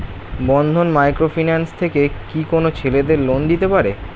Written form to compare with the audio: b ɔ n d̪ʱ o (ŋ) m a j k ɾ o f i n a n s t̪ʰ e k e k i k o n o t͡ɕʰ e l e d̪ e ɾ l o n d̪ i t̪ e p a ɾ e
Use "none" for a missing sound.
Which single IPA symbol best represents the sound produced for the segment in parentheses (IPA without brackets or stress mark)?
n